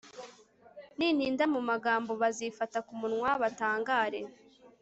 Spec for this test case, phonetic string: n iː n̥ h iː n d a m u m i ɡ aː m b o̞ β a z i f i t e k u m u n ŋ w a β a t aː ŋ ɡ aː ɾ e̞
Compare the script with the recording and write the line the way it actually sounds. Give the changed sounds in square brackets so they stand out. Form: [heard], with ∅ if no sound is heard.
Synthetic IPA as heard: n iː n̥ h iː n d a m u m [a] ɡ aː m b o̞ β a z i f [a] t [a] k u m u n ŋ w a β a t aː ŋ ɡ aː ɾ e̞